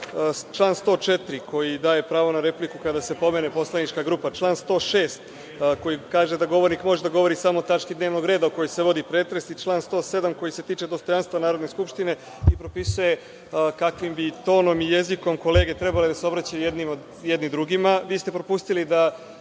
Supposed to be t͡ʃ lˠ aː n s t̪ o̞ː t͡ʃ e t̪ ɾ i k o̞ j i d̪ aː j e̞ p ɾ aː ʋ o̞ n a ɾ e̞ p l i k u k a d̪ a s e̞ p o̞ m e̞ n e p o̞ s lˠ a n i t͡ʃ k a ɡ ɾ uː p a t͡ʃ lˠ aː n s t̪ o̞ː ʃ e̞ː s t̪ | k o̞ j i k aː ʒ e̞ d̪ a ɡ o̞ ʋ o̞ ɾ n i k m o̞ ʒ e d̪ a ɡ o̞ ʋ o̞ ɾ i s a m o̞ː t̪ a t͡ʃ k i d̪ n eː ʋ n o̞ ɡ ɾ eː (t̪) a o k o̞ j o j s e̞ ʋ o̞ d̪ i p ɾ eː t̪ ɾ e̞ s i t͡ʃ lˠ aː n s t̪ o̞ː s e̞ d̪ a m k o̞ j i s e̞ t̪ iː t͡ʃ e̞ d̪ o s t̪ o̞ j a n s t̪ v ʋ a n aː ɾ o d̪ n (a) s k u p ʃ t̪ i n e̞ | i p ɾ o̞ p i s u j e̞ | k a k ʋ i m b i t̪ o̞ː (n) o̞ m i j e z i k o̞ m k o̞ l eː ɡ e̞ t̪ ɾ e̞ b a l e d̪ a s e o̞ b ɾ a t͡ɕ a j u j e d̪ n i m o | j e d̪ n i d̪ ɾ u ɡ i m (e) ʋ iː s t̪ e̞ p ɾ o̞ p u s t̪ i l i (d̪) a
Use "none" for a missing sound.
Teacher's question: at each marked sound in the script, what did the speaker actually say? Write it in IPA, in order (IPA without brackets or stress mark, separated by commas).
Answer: d̪, e, n, a, d̪